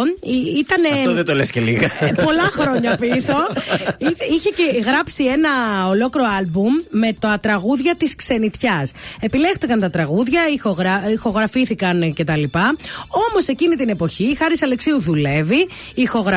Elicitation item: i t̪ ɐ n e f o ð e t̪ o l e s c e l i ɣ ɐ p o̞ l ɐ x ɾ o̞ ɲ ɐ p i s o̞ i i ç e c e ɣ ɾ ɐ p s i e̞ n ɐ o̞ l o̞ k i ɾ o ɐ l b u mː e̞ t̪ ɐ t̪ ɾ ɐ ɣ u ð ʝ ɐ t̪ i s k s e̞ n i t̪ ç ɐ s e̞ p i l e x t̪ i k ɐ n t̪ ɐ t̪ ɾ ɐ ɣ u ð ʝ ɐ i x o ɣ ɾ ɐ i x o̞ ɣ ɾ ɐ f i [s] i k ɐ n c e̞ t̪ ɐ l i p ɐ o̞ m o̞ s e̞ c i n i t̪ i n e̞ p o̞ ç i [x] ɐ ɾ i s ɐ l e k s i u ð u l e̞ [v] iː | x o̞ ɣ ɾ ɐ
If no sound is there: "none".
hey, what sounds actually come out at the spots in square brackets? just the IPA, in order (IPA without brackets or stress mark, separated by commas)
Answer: θ, x, v